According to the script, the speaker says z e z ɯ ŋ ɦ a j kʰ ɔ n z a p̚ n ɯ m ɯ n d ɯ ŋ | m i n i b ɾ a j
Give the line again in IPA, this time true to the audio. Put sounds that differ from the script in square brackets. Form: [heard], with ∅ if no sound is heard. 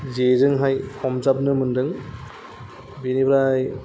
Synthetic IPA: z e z ɯ ŋ ɦ a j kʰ ɔ [m] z a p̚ n ɯ m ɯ n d ɯ ŋ | [b] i n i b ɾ a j